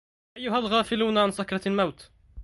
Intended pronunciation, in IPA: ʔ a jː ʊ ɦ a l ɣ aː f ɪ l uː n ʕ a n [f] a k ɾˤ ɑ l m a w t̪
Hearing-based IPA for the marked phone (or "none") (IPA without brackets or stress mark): s